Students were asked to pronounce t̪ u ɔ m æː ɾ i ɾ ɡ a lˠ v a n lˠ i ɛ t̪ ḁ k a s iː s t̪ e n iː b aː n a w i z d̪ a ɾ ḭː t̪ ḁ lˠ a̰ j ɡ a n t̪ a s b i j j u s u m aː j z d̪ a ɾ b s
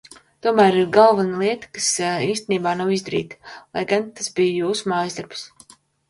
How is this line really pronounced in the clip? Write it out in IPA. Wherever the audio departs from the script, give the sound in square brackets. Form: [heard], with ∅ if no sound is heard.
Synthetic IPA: t̪ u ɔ m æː ɾ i ɾ ɡ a lˠ v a n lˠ i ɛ t̪ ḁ k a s iː s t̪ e n iː b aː n a w i z d̪ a ɾ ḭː t̪ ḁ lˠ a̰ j ɡ a n t̪ a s b i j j [uː] s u m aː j z d̪ a ɾ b s